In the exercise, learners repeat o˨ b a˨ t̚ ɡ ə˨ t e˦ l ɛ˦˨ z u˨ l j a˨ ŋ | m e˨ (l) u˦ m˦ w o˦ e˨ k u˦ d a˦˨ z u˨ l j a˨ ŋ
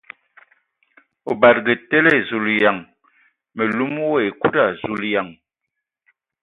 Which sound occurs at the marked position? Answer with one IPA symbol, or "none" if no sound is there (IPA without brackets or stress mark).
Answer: l